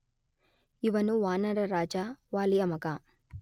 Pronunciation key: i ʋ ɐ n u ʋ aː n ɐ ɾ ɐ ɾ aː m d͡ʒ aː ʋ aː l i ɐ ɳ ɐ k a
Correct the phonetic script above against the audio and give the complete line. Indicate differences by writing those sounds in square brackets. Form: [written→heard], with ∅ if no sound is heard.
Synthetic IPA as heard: i ʋ ɐ n u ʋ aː n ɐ ɾ ɐ ɾ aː [m→∅] d͡ʒ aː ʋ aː l i ɐ [ɳ→m] ɐ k a